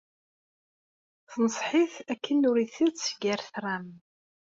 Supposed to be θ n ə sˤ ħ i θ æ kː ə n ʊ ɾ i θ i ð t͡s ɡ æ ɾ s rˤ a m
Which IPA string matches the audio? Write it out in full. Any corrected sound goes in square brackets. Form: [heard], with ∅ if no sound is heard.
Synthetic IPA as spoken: θ n ə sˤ ħ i θ æ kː ə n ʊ ɾ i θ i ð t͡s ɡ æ ɾ [θ] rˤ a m